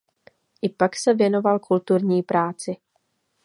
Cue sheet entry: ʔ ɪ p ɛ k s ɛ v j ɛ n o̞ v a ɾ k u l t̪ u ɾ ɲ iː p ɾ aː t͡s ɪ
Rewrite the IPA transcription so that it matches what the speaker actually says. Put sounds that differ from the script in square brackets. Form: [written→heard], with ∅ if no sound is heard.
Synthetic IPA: ʔ ɪ p [ɛ→a] k s ɛ v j ɛ n o̞ v a [ɾ→l] k u l t̪ u ɾ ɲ iː p ɾ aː t͡s ɪ